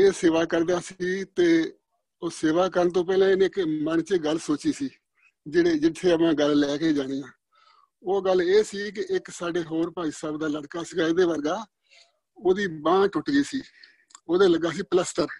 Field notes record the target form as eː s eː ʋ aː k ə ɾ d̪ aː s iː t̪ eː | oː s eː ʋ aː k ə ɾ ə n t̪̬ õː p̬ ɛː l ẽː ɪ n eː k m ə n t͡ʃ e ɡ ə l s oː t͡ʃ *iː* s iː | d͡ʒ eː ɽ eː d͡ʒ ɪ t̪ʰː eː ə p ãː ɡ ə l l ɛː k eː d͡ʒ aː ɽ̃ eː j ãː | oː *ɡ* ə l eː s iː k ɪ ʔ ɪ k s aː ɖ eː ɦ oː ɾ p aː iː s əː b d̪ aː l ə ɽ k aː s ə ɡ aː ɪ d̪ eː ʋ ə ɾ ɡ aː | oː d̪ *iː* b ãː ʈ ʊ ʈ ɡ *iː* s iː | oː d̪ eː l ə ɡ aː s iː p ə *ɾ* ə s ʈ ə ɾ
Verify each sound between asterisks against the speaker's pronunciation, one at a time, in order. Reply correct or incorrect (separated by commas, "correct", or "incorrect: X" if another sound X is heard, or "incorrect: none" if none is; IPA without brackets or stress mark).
correct, correct, correct, correct, incorrect: l